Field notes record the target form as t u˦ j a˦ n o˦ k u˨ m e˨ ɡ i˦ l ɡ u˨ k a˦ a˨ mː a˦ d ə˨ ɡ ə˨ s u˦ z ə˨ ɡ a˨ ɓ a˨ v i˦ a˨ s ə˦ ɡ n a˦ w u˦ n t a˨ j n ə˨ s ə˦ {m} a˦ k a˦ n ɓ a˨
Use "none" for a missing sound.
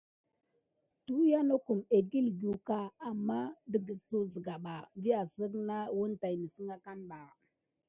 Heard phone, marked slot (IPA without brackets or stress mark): ŋ